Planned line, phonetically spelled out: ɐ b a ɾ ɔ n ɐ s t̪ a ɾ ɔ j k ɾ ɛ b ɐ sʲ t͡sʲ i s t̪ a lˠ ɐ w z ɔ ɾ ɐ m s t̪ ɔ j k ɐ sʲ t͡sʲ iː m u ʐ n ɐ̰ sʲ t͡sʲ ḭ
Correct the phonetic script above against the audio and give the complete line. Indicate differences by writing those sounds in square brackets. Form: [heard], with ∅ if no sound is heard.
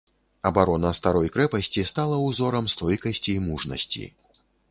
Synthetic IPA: ɐ b a ɾ ɔ n ɐ s t̪ a ɾ ɔ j k ɾ ɛ [p] ɐ sʲ t͡sʲ i s t̪ a lˠ ɐ w z ɔ ɾ ɐ m s t̪ ɔ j k ɐ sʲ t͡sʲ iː m u ʐ n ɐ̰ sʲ t͡sʲ ḭ